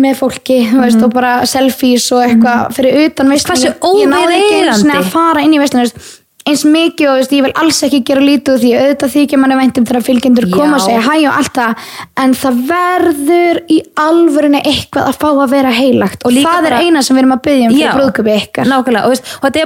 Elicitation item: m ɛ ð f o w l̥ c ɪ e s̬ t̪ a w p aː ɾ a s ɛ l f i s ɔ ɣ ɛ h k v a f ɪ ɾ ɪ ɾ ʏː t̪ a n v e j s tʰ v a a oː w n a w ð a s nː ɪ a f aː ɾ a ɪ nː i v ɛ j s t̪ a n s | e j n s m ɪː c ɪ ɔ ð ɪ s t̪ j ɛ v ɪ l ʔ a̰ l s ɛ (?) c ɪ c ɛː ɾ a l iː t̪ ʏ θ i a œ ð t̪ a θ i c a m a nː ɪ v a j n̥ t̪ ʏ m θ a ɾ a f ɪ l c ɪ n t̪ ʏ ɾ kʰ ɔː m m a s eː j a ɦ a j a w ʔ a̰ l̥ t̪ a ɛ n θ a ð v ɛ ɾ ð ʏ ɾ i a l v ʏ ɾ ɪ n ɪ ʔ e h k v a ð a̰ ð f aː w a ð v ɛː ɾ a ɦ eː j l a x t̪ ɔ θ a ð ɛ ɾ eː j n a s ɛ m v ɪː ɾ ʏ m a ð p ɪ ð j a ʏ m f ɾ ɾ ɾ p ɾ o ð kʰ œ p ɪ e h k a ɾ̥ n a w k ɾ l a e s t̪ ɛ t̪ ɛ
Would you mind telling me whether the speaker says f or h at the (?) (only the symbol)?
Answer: h